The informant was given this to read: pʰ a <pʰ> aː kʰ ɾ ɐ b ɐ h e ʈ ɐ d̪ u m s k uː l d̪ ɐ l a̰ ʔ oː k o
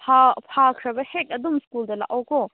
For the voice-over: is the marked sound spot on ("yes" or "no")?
yes